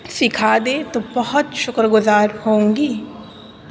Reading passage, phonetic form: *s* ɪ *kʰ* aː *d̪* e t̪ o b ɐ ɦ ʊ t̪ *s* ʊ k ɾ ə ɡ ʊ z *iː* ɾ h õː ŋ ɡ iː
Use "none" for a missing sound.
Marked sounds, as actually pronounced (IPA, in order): s, kʰ, d̪, ʃ, aː

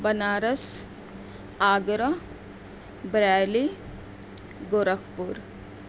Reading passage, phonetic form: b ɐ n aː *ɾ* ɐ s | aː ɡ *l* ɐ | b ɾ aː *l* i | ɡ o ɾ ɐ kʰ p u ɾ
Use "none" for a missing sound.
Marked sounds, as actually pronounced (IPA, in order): ɾ, ɾ, l

